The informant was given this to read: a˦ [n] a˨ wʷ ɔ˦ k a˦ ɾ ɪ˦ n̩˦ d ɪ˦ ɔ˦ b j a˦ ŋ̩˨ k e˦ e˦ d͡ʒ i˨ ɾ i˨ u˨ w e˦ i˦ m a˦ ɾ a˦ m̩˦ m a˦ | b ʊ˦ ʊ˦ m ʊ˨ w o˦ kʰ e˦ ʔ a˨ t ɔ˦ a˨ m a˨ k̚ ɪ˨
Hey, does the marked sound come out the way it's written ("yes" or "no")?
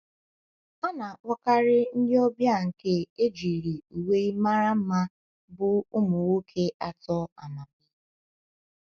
yes